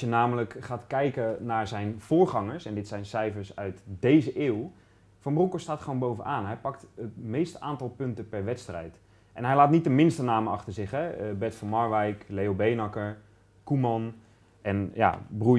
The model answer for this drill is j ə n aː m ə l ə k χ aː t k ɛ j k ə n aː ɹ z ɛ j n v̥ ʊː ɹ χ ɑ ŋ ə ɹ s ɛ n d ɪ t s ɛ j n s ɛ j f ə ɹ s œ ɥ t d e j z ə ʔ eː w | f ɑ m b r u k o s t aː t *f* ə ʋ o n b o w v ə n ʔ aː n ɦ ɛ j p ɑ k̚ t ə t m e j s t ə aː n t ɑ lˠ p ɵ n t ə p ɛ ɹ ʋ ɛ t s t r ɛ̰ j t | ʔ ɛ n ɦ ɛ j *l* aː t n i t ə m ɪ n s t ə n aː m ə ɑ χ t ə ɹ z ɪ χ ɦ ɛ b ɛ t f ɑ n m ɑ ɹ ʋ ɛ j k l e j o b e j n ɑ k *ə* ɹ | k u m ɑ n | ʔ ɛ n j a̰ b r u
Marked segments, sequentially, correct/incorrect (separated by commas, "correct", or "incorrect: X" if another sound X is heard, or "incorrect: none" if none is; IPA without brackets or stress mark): incorrect: χ, correct, correct